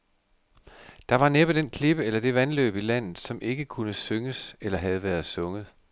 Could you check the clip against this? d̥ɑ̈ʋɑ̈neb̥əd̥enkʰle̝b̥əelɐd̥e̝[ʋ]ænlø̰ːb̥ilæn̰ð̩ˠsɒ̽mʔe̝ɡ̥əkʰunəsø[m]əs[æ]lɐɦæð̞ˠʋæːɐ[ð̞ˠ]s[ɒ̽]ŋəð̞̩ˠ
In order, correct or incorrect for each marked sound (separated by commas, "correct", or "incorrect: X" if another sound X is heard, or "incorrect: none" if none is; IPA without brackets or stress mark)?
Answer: correct, incorrect: ŋ, incorrect: e, correct, incorrect: ɔ̽